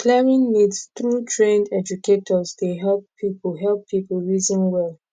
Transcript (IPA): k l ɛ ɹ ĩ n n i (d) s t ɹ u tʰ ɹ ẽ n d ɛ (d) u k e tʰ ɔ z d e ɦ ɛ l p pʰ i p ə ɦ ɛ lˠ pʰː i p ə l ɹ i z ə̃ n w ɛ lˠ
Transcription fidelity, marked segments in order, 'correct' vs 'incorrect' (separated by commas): correct, incorrect